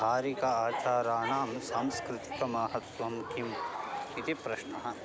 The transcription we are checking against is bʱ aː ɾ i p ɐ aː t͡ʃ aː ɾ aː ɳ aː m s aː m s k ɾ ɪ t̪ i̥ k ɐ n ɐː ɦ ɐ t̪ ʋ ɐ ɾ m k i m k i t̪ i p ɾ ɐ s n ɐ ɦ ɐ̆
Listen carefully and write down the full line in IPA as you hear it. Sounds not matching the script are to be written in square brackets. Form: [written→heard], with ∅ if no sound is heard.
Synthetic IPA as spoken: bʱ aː ɾ i [p→k] ɐ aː t͡ʃ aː ɾ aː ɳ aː m s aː m s k ɾ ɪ t̪ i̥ k ɐ [n→m] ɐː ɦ ɐ t̪ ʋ ɐ [ɾ→∅] m k i m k i t̪ i p ɾ ɐ [s→ʃ] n ɐ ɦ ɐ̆